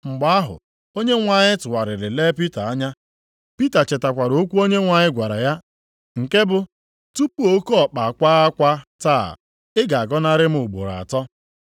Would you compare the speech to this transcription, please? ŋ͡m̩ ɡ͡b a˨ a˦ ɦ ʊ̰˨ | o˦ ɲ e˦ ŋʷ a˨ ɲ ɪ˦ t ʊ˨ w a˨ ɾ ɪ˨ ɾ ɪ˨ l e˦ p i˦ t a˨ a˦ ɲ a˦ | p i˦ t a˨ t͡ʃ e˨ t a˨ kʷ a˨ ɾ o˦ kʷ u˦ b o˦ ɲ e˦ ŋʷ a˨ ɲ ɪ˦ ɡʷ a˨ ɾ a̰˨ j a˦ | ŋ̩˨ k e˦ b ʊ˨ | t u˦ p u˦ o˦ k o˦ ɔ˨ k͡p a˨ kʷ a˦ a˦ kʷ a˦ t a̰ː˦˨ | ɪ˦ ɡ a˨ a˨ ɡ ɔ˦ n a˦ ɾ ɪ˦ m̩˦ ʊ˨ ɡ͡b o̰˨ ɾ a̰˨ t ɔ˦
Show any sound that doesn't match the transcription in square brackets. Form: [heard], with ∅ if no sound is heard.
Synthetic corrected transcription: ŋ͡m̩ ɡ͡b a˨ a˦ ɦ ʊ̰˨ | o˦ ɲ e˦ ŋʷ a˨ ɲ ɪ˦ t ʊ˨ w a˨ ɾ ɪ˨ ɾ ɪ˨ l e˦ p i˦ t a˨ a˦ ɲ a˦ | p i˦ t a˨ t͡ʃ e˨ t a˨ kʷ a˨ ɾ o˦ kʷ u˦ [∅] o˦ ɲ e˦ ŋʷ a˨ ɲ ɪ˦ ɡʷ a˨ ɾ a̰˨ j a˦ | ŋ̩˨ k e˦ b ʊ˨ | t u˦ p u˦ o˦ k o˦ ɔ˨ k͡p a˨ kʷ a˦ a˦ kʷ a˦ t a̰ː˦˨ | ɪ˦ ɡ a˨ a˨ ɡ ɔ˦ n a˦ ɾ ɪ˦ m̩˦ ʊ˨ ɡ͡b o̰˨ ɾ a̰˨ t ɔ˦